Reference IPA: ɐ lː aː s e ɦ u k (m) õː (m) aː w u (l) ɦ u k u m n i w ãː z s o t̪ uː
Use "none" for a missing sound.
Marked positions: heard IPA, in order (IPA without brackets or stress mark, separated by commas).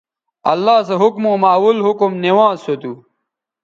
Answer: m, m, l